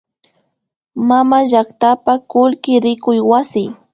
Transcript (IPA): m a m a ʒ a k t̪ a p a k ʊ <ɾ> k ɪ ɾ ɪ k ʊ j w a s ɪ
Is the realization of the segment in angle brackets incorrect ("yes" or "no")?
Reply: yes